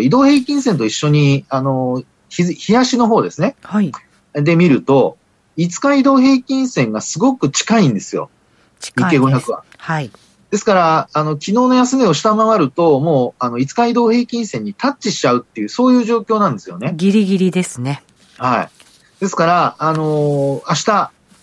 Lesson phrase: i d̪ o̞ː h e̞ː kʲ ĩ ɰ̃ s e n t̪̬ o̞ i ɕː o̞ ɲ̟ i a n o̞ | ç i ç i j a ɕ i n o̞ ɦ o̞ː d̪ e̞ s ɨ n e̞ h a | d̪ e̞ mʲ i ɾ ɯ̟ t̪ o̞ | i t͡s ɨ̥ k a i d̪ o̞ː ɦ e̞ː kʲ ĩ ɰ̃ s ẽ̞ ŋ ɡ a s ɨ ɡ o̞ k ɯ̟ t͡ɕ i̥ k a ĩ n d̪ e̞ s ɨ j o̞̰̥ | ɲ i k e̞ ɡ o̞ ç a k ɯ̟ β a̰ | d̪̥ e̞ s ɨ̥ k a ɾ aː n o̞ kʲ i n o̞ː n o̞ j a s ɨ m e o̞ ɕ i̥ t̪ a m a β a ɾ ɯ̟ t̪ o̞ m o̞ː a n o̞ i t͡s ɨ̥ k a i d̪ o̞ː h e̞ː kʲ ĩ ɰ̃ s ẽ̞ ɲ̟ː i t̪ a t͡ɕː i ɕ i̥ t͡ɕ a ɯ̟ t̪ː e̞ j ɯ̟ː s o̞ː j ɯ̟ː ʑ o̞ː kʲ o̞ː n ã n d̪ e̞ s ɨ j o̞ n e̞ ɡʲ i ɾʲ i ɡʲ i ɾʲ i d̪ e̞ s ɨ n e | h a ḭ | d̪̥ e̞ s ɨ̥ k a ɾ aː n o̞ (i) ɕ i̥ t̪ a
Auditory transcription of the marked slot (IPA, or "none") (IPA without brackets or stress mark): a